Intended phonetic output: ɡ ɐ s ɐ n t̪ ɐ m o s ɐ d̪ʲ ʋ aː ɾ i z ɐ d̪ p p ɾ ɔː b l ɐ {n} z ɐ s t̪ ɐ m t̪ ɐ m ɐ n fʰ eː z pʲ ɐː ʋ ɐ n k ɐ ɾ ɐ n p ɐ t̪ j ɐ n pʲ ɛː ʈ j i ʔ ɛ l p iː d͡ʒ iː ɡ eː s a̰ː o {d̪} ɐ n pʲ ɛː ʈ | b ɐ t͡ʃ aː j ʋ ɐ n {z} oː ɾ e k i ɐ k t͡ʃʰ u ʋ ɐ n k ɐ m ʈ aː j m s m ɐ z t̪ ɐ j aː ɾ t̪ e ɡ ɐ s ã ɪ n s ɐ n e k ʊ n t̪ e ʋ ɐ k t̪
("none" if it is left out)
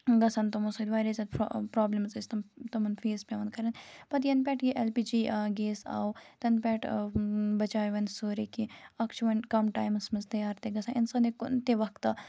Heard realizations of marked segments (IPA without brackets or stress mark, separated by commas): m, t̪, s